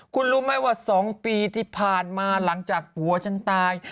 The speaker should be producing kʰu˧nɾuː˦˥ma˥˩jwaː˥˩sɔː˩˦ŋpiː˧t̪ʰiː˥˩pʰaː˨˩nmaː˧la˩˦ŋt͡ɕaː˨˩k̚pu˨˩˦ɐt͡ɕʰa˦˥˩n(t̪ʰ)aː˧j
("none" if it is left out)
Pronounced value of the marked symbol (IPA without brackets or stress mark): t̪